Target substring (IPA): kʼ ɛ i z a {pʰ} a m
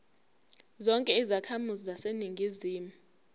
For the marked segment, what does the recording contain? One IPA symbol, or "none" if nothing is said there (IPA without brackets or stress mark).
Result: kʰ